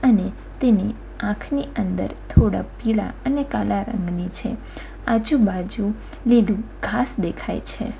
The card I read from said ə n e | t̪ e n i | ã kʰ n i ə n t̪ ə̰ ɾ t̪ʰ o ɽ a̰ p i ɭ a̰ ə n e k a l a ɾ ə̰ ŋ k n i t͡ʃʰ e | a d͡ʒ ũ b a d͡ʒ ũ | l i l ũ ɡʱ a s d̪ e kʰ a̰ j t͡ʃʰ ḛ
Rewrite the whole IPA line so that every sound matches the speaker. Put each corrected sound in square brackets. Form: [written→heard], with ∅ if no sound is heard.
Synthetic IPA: ə n e | t̪ e n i | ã kʰ n i ə n [t̪→d̪] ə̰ ɾ t̪ʰ o ɽ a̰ p i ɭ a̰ ə n e k a l a ɾ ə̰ ŋ [k→ɡ] n i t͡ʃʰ e | a d͡ʒ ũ b a d͡ʒ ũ | l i l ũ ɡʱ a s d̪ e kʰ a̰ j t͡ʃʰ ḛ